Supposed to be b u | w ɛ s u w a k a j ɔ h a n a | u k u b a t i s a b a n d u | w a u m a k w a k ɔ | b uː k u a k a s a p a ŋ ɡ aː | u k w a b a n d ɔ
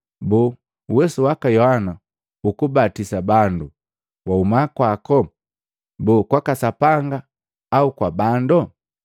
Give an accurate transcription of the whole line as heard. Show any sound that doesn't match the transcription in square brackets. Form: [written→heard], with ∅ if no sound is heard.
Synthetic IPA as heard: b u | w ɛ s u w a k a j ɔ h a n a | u k u b a t i s a b a n d u | w a u m a k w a k ɔ | b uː k [u→w] a k a s a p a ŋ ɡ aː | u k w a b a n d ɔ